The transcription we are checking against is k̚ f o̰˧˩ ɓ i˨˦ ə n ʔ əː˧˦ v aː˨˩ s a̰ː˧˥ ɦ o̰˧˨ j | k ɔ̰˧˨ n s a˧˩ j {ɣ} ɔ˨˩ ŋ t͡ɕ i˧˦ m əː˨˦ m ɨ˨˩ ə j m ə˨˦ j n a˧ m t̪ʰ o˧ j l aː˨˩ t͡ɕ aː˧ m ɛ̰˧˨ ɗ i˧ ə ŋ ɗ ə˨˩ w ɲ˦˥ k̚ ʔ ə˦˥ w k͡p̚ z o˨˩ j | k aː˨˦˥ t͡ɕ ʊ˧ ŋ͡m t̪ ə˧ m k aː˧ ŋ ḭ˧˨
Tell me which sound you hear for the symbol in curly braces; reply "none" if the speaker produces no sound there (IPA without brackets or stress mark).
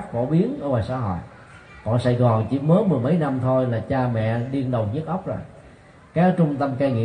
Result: ɣ